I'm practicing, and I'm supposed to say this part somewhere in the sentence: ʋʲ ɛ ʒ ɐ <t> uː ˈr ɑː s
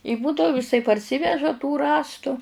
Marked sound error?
no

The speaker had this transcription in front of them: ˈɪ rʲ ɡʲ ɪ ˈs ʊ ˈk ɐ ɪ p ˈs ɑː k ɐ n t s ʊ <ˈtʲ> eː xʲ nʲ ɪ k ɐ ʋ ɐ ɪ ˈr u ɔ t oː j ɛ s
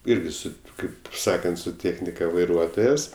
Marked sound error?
no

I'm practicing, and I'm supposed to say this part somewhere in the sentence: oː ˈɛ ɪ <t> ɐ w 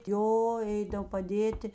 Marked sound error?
yes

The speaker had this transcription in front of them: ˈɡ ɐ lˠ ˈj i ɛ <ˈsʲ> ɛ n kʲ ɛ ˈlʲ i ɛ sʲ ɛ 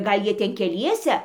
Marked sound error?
yes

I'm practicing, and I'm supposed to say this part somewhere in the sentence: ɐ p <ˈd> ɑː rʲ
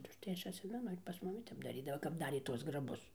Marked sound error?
no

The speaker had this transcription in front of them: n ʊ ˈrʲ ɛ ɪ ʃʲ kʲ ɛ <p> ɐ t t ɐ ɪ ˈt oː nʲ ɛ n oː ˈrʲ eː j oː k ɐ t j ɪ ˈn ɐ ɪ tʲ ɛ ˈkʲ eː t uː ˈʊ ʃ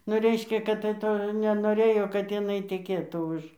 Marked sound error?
yes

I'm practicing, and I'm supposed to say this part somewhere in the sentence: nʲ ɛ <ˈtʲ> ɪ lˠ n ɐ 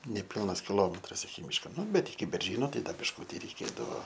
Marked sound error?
yes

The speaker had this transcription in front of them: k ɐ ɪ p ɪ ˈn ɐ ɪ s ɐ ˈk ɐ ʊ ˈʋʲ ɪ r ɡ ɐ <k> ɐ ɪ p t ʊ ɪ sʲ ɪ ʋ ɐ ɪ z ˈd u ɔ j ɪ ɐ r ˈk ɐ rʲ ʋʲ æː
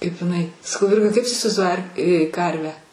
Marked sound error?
no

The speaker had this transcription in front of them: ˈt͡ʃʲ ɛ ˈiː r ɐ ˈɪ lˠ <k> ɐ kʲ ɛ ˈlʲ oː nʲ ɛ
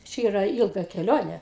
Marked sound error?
yes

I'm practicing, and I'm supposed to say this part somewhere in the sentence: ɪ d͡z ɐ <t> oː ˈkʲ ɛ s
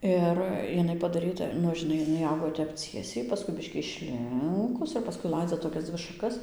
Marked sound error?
no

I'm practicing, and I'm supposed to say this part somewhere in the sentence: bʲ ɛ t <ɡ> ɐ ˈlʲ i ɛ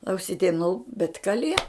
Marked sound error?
yes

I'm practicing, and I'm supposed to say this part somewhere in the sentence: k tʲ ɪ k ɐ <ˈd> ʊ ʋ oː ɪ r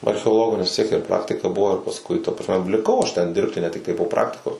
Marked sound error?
yes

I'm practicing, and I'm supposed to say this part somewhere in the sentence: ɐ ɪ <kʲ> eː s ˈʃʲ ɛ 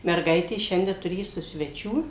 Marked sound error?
yes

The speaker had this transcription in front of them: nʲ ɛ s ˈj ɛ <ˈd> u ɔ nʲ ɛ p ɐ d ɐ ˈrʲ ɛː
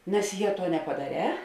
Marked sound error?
yes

